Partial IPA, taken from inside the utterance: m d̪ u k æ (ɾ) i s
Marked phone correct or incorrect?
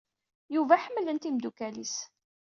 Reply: incorrect: l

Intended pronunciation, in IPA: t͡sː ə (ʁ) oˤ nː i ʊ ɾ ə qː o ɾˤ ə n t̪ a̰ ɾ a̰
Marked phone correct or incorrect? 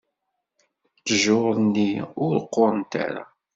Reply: incorrect: ʒ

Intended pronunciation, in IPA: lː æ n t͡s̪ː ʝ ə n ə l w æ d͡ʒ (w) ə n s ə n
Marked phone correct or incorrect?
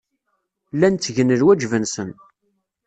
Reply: incorrect: v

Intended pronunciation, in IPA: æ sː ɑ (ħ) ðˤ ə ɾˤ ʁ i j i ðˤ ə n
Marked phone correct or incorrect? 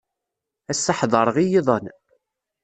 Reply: correct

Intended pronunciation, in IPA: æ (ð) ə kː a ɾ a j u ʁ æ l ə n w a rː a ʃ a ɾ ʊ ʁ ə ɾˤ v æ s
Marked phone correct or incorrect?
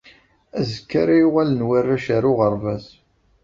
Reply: incorrect: z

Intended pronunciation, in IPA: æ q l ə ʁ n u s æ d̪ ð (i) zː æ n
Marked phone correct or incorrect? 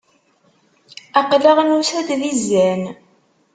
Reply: correct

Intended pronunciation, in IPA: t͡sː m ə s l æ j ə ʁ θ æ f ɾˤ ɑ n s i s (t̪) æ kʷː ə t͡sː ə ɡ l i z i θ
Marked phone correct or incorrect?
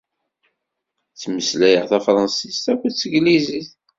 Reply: correct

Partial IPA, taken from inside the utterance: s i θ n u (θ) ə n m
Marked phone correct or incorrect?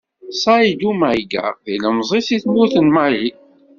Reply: correct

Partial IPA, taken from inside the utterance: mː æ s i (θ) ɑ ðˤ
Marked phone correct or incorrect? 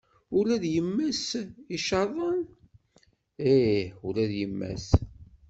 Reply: incorrect: ʃ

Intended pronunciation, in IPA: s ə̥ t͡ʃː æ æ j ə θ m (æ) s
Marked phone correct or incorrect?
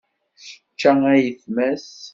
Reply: correct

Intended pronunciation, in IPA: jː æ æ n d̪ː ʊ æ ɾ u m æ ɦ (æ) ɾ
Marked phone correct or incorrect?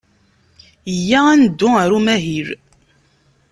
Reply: incorrect: i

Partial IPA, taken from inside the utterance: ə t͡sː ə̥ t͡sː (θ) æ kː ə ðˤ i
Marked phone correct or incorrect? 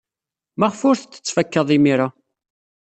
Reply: incorrect: f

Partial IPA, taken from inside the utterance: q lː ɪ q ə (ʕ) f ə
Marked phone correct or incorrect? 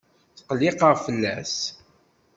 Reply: incorrect: ʁ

